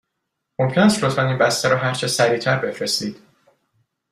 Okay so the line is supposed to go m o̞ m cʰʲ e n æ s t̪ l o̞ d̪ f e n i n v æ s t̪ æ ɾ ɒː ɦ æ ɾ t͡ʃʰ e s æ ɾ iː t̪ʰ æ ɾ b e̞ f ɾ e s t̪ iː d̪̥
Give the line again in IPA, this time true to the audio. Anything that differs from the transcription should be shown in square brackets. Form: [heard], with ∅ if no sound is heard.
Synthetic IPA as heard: m o̞ m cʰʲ e n æ s t̪ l o̞ [t̪] f [æ] n i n [b] æ s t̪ æ ɾ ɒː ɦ æ ɾ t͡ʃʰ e s æ ɾ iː t̪ʰ æ ɾ b e̞ f ɾ e s t̪ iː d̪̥